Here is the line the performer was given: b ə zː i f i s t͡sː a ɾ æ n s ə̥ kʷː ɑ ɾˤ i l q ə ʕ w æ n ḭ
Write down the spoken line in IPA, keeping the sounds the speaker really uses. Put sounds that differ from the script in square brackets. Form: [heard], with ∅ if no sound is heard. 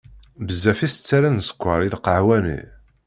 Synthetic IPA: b ə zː [æ] f i s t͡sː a ɾ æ n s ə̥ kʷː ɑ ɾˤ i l q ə ʕ w æ n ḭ